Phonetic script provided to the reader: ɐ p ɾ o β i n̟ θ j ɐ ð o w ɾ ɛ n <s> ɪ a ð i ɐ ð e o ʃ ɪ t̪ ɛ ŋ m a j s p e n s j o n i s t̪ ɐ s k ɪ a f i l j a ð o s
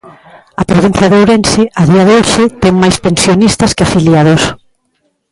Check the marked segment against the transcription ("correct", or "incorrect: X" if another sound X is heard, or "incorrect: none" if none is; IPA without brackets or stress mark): correct